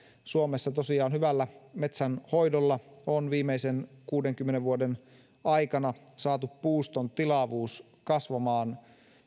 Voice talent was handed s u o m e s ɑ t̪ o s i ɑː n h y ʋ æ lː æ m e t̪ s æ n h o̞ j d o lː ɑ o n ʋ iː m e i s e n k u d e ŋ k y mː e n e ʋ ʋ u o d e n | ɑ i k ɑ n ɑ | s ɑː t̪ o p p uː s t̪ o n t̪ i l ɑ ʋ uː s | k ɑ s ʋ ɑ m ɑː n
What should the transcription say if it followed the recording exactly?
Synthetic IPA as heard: s u o m e sː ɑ t̪ o s i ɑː n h y ʋ æ lː æ m e t̪ s æ n h o̞ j d o lː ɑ o n ʋ iː m e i s e n k uː d e ŋ k y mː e n e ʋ ʋ u o d e n | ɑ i k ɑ n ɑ | s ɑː t̪ u p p uː s t̪ o n t̪ i l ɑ ʋ uː s | k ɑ s ʋ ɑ m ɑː n